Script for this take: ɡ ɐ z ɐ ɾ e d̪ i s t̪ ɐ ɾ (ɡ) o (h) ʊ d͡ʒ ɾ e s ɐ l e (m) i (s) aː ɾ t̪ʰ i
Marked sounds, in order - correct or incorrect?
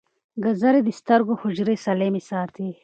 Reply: correct, correct, correct, correct

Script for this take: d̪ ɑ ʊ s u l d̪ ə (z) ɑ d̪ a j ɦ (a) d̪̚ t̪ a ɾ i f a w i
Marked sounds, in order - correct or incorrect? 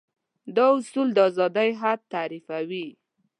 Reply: correct, correct

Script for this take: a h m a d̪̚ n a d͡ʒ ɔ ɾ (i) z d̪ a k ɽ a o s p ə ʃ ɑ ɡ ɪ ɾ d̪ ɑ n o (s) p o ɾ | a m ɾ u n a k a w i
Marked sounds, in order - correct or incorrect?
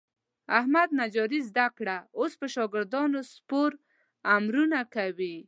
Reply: correct, correct

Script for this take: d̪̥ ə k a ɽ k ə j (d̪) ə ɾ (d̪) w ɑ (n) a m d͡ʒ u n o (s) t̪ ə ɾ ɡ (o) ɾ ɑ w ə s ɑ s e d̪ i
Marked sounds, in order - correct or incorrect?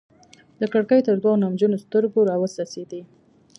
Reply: incorrect: t̪, correct, correct, correct, correct

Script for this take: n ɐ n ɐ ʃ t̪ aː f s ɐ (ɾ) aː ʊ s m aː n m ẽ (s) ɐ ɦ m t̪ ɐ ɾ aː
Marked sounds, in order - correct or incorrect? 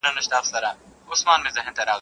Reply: correct, incorrect: z

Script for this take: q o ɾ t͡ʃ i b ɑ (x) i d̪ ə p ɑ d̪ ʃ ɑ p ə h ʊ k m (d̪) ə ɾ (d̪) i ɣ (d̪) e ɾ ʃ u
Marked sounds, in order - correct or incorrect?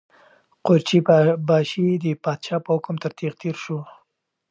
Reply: incorrect: ʃ, incorrect: t̪, incorrect: t̪, incorrect: t̪

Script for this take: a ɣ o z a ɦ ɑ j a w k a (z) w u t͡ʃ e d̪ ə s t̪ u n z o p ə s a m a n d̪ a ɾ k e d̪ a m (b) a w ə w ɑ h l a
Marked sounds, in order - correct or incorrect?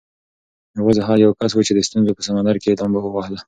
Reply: incorrect: s, correct

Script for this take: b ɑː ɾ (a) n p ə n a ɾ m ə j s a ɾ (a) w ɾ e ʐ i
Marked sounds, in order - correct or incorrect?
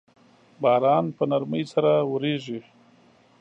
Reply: incorrect: ɑ, correct

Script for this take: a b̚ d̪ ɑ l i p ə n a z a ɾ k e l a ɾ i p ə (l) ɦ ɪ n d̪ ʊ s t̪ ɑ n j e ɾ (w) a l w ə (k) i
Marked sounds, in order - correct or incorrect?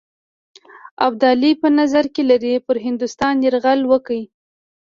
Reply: incorrect: ɾ, incorrect: ɣ, correct

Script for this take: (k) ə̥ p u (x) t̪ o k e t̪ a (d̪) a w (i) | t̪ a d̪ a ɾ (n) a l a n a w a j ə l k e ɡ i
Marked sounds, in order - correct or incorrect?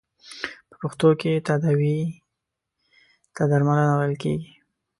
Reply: incorrect: p, correct, correct, correct, incorrect: m

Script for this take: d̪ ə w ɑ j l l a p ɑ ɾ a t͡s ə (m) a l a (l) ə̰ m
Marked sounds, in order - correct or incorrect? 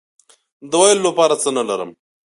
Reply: incorrect: n, incorrect: ɾ

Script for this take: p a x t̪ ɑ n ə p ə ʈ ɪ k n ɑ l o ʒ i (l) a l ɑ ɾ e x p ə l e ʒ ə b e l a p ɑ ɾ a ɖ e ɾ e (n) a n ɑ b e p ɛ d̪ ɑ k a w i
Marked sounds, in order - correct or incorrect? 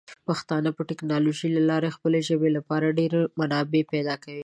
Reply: correct, incorrect: m

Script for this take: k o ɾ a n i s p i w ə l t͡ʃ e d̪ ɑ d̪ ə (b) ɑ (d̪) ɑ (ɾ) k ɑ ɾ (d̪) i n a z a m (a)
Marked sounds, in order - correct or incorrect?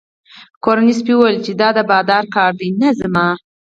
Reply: correct, correct, correct, correct, incorrect: ɑ

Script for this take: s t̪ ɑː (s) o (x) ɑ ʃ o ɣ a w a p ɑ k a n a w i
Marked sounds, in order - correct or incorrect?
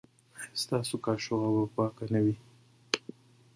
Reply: correct, incorrect: k

